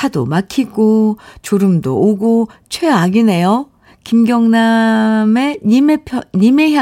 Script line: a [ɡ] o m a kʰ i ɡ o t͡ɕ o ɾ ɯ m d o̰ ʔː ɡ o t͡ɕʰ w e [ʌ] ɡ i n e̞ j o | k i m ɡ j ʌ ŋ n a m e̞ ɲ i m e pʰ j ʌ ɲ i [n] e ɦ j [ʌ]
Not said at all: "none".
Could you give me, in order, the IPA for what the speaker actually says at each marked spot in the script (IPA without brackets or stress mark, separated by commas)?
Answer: d, a, m, a